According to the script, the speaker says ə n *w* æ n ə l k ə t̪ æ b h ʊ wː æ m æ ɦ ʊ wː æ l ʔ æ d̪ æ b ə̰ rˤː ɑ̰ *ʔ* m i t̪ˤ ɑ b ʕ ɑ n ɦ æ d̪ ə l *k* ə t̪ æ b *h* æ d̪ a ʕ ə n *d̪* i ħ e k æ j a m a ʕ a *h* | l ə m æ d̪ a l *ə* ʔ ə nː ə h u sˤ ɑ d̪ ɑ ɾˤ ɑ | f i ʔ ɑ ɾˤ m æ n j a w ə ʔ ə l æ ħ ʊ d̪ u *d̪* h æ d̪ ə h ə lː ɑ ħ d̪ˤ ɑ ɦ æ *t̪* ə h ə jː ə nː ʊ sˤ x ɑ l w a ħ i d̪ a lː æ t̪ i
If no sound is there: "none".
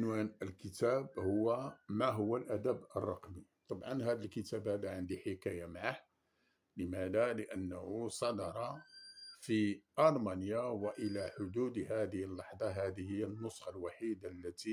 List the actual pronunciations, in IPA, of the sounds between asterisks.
w, q, k, h, d̪, h, ə, d̪, d̪

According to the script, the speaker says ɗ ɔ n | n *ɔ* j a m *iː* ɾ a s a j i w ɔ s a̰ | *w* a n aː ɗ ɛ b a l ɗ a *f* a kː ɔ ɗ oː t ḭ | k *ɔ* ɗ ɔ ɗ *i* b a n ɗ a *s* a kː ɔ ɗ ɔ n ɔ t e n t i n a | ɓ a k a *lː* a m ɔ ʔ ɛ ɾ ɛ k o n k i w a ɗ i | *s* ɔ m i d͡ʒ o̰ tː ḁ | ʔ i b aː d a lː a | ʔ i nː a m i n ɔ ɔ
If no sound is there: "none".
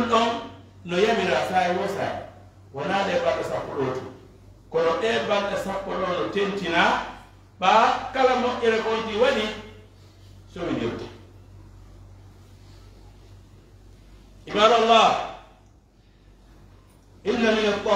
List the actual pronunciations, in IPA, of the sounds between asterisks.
ɔ, i, w, s, ɔ, ɛ, s, l, s

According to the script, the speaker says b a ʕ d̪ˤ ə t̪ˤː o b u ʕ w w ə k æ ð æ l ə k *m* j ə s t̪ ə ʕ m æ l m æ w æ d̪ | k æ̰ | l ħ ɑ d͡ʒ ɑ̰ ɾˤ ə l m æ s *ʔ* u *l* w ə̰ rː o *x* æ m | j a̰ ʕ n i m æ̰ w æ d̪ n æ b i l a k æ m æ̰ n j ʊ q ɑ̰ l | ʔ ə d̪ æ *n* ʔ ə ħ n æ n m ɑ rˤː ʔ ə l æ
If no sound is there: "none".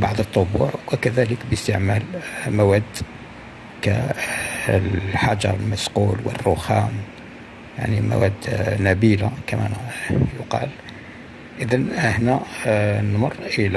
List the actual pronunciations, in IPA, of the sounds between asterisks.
b, q, l, x, n

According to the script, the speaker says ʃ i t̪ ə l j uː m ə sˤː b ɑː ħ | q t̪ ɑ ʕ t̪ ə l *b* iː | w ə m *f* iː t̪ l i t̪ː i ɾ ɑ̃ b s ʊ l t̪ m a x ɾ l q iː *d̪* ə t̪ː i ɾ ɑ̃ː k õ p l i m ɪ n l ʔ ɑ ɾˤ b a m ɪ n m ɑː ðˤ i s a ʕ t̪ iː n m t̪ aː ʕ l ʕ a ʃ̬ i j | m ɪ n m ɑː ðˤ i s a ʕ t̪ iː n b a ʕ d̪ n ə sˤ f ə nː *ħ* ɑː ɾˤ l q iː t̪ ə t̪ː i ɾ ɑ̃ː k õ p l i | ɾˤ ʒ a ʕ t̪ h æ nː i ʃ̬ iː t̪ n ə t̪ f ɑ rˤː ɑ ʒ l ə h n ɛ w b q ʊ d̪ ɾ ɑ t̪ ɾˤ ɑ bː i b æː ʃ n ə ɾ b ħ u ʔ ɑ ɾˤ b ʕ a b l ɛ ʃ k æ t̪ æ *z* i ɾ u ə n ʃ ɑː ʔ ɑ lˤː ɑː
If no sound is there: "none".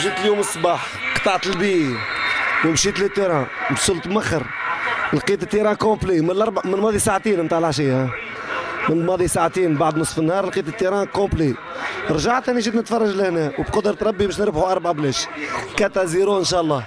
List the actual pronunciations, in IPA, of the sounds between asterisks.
b, ʃ, t̪, h, z

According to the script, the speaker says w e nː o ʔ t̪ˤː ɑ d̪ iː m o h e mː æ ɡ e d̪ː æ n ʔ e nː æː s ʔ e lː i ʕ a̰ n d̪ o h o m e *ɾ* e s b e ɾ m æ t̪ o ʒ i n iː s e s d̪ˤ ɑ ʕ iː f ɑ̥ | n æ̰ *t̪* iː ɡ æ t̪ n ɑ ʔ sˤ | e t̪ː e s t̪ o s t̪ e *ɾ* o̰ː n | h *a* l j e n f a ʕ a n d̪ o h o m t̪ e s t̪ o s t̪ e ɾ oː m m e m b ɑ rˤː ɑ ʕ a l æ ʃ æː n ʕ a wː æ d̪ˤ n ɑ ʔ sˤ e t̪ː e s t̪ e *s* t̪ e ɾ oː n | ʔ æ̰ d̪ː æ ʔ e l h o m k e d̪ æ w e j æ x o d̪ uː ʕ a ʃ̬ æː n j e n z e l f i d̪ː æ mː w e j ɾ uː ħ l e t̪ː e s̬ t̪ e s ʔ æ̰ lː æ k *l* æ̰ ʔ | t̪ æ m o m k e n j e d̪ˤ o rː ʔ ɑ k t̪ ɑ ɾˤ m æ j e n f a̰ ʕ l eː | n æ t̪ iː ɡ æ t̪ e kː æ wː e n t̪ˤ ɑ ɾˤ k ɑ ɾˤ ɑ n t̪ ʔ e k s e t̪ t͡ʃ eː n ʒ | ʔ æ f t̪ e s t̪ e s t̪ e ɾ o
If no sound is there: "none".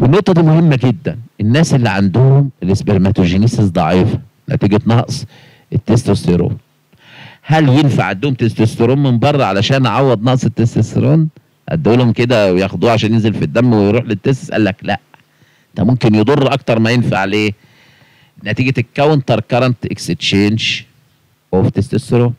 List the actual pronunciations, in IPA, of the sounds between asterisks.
l, t̪, ɾ, æ, s, l

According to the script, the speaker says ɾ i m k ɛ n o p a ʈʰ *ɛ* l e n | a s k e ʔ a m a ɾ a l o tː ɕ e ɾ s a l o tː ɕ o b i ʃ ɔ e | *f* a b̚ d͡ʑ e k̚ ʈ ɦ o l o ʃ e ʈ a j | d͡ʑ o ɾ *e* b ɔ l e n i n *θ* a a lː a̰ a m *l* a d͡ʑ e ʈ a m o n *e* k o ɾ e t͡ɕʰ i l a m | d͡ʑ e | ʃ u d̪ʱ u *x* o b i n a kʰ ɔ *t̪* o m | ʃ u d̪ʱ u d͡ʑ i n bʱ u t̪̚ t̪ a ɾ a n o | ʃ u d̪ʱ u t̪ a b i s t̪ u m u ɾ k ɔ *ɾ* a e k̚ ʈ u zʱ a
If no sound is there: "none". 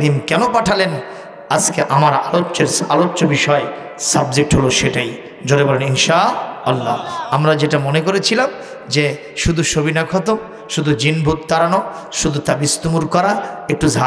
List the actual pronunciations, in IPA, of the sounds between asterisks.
a, s, e, ʃ, ɾ, e, ʃ, t̪, ɾ

